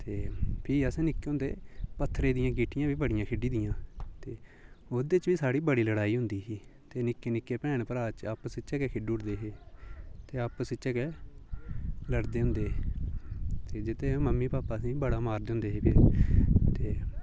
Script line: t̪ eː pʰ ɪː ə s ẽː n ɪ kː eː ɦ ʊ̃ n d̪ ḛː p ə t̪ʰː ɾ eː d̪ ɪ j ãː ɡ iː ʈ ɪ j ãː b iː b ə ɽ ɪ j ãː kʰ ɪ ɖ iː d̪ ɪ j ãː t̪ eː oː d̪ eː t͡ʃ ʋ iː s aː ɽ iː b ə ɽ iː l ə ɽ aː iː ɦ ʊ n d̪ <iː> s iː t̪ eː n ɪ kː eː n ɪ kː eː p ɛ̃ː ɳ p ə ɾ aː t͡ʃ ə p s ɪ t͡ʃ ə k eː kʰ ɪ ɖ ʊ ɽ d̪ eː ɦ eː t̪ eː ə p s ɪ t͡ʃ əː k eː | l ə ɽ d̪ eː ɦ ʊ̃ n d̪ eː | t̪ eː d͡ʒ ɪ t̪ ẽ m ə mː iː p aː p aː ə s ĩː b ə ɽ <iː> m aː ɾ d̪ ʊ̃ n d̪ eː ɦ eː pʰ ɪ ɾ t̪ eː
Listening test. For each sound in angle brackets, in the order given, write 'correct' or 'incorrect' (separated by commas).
correct, incorrect